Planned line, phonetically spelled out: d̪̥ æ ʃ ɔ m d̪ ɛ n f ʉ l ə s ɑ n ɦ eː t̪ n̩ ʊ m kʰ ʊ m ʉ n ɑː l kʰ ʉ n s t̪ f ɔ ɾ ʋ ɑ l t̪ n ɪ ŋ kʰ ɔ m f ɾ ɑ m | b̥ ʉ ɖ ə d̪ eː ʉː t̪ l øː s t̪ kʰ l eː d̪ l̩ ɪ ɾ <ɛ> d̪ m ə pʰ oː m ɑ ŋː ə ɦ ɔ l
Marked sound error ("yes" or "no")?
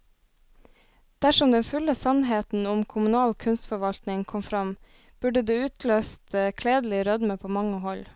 yes